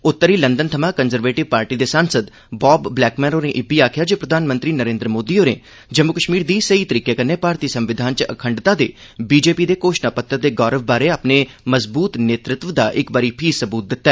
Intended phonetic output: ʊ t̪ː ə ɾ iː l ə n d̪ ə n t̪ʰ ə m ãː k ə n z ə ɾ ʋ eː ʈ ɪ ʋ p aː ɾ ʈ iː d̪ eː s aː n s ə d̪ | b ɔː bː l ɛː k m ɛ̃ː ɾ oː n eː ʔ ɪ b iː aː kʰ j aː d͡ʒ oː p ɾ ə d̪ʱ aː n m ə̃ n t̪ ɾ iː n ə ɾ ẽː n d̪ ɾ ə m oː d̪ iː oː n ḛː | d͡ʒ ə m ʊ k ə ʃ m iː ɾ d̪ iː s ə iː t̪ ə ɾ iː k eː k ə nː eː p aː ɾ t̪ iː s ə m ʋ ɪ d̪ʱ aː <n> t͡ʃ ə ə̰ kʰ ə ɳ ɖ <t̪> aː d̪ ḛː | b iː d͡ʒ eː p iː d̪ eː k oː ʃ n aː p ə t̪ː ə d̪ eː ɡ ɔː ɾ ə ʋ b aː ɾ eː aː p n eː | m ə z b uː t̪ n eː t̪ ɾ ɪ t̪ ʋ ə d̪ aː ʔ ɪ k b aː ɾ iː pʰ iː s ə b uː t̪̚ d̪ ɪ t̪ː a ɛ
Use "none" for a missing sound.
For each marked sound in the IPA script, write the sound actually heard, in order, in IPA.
n, t̪

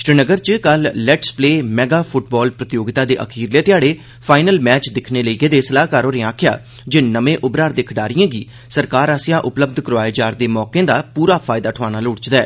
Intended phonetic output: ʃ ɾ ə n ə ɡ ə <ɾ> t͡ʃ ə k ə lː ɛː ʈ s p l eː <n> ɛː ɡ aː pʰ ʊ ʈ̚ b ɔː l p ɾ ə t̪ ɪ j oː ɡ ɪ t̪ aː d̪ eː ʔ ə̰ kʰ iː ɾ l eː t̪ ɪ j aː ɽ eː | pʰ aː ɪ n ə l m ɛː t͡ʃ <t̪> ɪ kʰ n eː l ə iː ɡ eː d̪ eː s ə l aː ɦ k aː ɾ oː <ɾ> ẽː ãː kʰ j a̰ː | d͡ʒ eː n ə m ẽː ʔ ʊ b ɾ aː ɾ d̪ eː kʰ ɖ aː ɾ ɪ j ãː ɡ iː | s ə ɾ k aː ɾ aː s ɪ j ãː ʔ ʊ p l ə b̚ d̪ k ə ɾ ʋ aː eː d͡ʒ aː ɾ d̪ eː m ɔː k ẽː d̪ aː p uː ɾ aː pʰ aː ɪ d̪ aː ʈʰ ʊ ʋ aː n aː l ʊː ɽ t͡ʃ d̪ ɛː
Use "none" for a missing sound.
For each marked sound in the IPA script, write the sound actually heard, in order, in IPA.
ɾ, m, d̪, ɾ

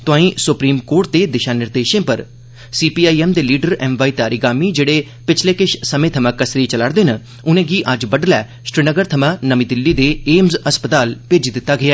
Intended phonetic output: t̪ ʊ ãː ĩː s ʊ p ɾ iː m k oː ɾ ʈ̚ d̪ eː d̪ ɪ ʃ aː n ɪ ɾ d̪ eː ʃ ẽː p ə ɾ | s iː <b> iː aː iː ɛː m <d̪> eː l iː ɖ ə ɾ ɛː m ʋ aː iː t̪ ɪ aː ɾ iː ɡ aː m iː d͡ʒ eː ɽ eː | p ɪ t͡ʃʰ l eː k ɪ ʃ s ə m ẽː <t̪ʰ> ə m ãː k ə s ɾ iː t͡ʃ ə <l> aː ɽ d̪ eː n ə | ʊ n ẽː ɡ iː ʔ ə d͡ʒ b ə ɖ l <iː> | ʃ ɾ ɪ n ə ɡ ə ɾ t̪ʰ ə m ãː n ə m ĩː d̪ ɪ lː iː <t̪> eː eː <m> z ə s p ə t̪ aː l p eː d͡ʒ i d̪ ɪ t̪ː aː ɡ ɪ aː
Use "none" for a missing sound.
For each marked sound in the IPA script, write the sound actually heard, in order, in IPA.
p, d̪, t̪ʰ, l, ɛː, d̪, m

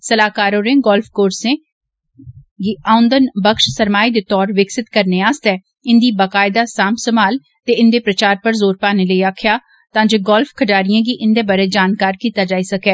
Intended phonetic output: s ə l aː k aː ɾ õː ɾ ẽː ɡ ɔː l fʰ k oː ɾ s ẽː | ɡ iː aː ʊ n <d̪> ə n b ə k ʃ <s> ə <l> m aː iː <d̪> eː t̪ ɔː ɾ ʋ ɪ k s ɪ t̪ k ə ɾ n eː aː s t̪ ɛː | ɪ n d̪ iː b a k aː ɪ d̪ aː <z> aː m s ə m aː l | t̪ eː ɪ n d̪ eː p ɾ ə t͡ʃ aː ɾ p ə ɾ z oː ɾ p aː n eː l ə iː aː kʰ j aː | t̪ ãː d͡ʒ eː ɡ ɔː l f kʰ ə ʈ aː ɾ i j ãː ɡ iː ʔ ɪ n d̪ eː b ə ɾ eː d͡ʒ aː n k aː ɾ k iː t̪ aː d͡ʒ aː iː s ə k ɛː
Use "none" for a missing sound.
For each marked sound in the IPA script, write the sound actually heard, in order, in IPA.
d̪, s, ɾ, d̪, s

